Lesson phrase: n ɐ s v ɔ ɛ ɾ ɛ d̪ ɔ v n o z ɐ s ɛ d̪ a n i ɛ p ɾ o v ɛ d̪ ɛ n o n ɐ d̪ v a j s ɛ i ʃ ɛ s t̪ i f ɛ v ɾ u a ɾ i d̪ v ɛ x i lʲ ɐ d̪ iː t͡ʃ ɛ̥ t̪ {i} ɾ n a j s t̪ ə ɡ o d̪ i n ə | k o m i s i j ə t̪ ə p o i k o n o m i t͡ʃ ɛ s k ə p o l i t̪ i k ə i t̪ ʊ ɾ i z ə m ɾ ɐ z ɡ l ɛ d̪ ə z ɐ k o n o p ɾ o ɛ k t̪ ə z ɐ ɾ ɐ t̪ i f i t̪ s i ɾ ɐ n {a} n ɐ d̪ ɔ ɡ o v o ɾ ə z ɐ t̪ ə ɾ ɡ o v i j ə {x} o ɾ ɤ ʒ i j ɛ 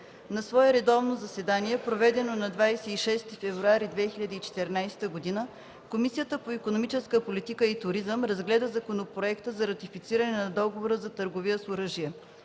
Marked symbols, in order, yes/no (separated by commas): no, no, no